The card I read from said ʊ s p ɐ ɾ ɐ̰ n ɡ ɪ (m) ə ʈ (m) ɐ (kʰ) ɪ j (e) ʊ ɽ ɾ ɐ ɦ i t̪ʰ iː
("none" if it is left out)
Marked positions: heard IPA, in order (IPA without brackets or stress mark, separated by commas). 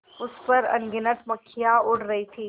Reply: n, m, kʰ, a